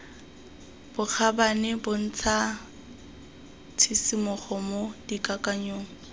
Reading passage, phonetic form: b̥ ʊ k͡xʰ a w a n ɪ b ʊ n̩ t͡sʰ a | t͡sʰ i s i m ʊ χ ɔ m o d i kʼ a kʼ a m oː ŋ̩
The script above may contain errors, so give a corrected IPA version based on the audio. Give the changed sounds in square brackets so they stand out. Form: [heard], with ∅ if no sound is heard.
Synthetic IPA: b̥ ʊ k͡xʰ a [b] a n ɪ b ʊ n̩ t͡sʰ a | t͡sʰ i s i m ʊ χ ɔ m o d i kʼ a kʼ a [ɲ] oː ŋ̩